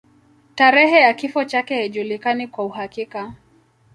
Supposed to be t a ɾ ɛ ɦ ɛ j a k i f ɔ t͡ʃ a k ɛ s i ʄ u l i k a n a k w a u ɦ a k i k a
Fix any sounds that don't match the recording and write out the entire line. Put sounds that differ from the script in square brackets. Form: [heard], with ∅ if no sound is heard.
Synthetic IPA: t a ɾ ɛ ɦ ɛ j a k i f ɔ t͡ʃ a k ɛ [h] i ʄ u l i k a n [i] k w a u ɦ a k i k a